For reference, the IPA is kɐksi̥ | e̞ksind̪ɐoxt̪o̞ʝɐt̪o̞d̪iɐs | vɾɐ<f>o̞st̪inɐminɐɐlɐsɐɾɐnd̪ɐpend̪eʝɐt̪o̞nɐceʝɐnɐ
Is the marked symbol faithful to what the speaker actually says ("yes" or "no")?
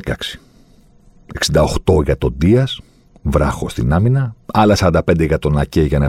no